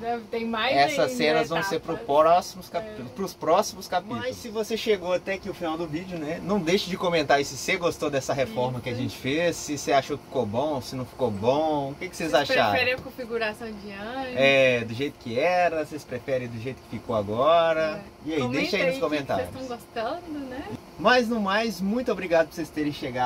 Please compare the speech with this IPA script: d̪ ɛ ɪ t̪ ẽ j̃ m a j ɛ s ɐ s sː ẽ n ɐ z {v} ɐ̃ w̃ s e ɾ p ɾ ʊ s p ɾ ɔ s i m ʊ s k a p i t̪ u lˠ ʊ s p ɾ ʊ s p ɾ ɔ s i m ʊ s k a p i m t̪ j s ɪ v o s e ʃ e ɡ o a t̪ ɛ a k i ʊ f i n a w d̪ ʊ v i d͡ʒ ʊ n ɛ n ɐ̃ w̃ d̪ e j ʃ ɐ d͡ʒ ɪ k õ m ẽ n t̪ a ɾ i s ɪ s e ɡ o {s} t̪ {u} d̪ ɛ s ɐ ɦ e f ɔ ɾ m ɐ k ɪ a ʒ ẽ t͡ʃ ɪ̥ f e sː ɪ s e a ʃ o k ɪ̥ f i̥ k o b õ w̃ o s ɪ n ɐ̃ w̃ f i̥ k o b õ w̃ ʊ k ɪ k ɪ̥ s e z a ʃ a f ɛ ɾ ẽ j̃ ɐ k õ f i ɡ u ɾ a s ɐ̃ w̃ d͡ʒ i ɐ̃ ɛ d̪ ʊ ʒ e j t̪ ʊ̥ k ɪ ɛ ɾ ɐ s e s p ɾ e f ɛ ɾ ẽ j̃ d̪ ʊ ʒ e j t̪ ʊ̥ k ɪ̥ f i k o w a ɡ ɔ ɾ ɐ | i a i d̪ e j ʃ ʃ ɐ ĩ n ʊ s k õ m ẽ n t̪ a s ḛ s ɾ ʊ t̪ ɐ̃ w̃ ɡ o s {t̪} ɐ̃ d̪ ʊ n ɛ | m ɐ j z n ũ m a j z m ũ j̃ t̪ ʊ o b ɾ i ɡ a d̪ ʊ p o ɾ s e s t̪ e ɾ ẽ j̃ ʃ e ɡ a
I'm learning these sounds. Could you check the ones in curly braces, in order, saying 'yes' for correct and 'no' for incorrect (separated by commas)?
yes, yes, no, yes